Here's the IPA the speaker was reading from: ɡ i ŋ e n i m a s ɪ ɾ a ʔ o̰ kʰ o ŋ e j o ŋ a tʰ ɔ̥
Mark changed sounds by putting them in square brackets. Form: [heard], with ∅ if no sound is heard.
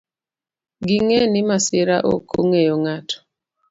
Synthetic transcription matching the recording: ɡ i ŋ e n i m a s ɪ ɾ a ʔ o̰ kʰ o ŋ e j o ŋ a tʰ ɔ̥